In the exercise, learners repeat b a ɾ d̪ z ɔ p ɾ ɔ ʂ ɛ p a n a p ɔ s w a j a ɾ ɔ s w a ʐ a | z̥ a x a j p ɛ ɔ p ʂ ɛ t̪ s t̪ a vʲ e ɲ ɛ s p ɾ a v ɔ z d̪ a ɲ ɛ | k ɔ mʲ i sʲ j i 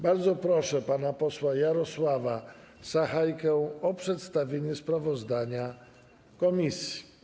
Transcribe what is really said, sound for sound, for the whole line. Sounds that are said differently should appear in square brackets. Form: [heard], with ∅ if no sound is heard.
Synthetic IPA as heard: b a ɾ d̪ z ɔ p ɾ ɔ ʂ ɛ p a n a p ɔ s w a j a ɾ ɔ s w a [v] a | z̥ a x a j [k] ɛ ɔ p ʂ ɛ t̪ s t̪ a vʲ e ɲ ɛ s p ɾ a v ɔ z d̪ a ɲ [a] | k ɔ mʲ i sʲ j i